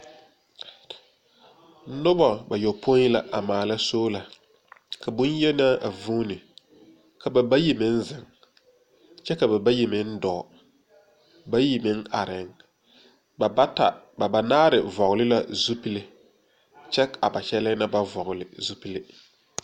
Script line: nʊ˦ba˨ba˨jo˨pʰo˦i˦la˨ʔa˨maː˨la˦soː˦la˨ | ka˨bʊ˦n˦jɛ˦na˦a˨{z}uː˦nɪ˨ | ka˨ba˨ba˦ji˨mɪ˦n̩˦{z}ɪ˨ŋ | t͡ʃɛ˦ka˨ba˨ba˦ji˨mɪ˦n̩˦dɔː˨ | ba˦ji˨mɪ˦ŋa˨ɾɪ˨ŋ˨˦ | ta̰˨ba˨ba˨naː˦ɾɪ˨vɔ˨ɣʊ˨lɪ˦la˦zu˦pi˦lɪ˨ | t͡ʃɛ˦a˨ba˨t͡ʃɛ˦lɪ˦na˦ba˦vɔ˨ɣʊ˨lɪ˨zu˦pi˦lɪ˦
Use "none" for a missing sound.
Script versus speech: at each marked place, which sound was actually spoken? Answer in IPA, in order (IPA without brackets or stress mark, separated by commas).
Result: v, z